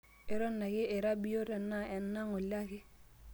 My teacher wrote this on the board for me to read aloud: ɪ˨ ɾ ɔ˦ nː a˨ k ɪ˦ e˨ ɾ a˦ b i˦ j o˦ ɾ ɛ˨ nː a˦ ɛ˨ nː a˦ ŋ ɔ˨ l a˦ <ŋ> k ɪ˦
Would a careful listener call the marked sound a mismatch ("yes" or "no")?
yes